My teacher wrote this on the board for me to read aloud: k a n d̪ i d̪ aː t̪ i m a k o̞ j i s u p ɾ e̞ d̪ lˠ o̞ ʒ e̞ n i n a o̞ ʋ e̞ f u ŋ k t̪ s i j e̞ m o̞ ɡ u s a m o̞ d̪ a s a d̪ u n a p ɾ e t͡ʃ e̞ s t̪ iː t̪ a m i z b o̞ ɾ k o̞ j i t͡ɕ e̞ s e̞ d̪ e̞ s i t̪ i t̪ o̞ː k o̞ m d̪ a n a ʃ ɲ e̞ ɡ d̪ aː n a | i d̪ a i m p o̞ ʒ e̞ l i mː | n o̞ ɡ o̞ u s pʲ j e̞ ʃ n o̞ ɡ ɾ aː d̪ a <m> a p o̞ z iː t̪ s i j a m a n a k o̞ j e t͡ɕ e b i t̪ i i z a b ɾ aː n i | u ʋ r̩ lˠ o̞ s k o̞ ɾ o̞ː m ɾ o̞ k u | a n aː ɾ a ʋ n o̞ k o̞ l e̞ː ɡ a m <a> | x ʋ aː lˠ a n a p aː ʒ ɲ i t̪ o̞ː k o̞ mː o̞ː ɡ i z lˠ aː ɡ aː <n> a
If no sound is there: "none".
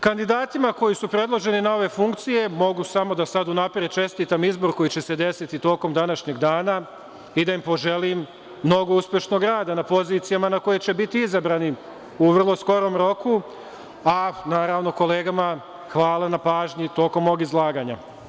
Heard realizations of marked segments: n, a, ɲ

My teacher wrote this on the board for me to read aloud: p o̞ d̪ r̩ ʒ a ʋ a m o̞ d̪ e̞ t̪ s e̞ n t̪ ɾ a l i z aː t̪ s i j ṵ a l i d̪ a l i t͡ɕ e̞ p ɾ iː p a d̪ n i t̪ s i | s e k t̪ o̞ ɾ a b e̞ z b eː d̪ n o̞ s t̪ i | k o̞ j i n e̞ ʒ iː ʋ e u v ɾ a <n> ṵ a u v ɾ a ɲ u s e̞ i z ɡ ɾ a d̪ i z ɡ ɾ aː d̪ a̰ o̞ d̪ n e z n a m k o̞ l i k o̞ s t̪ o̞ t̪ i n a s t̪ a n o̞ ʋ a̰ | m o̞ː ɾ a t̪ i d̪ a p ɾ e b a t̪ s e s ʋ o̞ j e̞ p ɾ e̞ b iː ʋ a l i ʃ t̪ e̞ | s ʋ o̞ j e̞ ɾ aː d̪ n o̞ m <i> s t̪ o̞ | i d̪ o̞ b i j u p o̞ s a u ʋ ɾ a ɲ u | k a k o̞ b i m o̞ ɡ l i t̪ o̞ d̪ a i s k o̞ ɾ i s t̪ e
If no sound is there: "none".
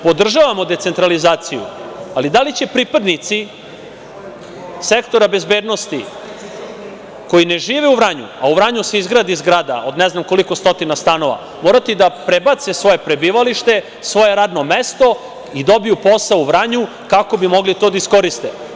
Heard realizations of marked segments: ɲ, e

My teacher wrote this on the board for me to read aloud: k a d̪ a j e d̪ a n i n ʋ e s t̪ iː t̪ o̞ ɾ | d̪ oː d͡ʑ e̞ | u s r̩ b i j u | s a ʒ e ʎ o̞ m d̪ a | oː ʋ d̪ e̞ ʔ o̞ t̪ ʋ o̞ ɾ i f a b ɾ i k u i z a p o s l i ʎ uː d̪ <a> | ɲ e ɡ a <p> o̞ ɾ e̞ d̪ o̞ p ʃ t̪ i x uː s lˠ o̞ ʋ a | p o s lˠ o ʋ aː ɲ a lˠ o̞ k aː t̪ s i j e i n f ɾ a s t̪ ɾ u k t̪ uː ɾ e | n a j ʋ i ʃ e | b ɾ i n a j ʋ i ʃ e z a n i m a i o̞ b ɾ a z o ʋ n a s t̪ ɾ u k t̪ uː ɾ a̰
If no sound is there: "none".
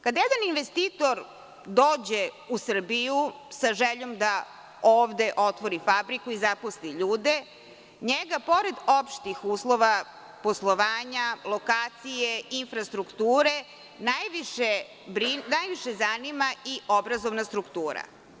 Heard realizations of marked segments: e, p

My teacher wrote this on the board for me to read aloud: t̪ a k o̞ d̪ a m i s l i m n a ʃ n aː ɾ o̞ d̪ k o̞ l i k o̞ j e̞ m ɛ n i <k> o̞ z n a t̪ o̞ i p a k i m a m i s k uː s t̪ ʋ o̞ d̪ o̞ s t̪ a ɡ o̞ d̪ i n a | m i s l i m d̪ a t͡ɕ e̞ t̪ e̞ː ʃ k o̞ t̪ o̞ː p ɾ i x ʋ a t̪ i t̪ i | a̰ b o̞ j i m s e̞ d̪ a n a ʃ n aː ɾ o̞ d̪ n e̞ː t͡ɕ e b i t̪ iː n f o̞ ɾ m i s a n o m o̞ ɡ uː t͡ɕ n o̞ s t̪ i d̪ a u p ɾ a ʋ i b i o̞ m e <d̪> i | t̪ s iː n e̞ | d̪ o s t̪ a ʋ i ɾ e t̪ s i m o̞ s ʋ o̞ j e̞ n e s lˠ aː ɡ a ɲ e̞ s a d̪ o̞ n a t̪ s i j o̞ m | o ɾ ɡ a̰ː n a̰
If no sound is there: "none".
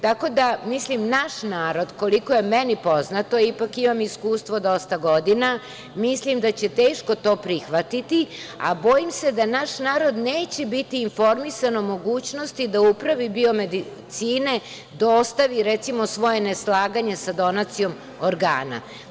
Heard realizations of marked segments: p, d̪

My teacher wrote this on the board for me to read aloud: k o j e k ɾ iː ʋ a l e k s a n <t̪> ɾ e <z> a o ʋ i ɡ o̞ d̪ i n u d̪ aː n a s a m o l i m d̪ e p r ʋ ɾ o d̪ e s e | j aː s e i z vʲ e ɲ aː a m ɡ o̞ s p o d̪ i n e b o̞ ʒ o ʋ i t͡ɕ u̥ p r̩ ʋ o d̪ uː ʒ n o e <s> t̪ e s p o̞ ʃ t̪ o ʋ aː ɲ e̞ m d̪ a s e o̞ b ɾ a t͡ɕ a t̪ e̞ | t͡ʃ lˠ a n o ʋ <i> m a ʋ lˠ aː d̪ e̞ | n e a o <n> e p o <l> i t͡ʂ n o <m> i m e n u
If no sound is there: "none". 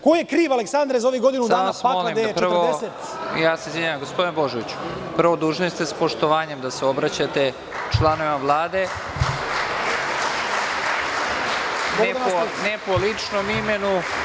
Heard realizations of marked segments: d̪, z, s, i, n, l, m

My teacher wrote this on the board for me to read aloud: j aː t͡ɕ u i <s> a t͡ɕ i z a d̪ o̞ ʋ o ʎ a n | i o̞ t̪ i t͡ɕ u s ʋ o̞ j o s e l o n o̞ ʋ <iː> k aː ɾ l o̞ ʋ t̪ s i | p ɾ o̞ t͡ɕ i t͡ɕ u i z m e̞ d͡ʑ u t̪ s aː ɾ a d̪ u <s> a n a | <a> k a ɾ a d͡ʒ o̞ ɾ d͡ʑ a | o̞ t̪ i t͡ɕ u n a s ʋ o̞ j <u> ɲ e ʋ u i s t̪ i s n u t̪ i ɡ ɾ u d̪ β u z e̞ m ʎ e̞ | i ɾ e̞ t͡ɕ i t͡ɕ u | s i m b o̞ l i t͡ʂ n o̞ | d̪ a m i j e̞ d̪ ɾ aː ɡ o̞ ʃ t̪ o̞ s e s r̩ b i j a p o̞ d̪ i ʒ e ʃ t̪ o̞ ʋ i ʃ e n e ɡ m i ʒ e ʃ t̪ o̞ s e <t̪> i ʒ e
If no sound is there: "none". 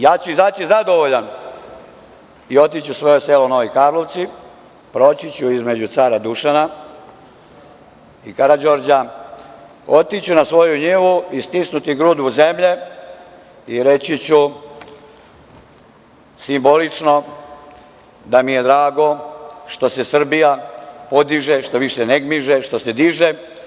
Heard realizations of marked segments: z, i, ʃ, i, u, d̪

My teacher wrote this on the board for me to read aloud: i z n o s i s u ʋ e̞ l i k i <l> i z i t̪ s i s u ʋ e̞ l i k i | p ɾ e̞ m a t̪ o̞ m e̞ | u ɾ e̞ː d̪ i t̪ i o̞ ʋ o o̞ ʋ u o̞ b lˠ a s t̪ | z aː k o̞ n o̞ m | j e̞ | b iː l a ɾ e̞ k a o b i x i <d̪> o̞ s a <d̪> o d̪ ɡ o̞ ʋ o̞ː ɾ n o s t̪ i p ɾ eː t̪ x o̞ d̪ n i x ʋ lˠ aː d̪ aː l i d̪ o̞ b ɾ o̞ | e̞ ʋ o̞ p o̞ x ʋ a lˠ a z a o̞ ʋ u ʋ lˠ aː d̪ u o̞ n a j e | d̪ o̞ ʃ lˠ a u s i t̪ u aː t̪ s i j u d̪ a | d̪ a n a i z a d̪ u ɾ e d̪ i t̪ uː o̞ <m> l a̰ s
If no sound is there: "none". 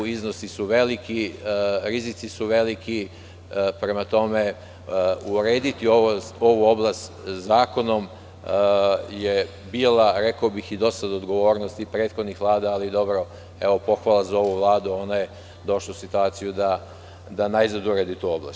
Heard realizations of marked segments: ɾ, d̪, d̪, b

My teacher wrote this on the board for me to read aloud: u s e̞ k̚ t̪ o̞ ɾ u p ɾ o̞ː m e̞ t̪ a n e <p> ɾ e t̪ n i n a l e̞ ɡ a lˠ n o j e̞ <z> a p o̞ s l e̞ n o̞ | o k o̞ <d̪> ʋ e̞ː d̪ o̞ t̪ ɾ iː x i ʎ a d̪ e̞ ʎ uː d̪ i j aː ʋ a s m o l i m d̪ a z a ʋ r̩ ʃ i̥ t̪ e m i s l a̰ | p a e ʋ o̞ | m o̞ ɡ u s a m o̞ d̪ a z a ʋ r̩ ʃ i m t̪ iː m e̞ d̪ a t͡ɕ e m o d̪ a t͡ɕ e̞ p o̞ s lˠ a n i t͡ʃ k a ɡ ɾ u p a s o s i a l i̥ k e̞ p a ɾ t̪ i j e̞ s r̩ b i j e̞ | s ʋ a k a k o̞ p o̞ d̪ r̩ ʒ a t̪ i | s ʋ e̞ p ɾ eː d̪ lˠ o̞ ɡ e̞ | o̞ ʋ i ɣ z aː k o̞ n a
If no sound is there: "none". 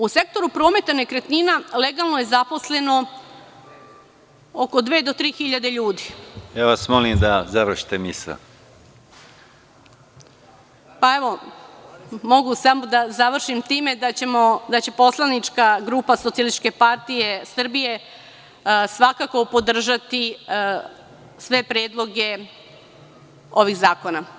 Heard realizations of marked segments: k, z, d̪

